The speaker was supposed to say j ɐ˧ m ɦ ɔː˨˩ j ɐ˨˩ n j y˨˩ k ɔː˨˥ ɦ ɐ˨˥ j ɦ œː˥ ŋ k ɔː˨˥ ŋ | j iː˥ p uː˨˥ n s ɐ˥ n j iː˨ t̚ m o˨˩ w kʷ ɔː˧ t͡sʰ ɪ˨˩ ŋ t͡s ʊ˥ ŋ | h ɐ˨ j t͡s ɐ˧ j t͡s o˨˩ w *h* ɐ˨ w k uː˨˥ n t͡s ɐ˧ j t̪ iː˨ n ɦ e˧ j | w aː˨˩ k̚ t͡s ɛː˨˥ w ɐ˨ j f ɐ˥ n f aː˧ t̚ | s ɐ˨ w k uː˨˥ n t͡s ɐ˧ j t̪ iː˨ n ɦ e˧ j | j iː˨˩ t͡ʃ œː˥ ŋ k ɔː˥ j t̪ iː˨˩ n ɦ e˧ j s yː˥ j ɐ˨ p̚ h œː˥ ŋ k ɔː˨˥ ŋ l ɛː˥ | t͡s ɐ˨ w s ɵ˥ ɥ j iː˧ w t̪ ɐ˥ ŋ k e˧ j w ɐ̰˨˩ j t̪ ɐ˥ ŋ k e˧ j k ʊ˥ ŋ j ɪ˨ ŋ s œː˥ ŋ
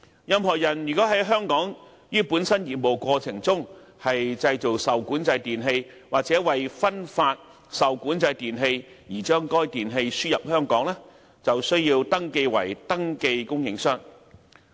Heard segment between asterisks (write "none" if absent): s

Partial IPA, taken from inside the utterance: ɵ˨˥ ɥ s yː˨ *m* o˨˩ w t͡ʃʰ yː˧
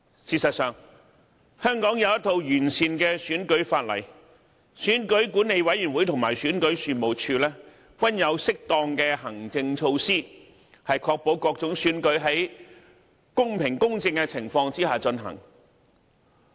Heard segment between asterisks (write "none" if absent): m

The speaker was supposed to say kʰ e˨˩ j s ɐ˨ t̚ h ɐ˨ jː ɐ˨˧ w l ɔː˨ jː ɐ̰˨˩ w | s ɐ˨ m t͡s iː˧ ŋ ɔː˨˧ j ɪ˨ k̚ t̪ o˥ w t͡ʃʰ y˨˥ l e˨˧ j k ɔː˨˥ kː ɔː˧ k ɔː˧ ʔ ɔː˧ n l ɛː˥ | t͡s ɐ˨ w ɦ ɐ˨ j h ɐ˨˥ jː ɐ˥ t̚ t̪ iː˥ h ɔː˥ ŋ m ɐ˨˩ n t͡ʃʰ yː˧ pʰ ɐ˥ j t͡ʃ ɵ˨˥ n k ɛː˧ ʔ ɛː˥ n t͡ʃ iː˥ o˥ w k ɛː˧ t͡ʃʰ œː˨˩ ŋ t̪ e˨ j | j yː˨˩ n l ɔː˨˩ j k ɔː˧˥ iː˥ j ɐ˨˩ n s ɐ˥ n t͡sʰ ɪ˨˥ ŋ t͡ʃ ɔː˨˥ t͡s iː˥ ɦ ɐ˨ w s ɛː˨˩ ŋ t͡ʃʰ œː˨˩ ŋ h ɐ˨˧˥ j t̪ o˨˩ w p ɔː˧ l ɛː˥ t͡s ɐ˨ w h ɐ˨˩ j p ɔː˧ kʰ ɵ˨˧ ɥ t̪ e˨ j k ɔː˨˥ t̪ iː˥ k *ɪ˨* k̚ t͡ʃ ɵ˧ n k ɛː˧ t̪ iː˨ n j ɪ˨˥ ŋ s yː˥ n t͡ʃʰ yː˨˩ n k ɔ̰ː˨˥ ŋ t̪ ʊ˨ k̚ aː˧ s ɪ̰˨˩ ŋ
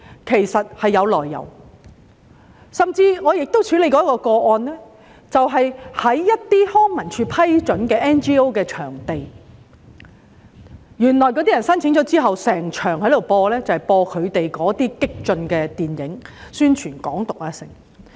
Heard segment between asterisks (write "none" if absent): ɪ˥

